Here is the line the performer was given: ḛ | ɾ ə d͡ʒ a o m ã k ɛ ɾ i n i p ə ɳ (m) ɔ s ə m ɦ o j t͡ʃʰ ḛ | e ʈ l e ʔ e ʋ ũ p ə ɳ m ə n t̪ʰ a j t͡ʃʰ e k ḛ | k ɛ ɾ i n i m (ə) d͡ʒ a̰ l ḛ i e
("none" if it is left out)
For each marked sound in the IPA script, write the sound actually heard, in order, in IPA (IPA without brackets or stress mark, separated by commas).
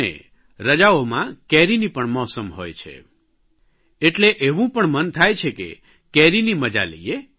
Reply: m, ə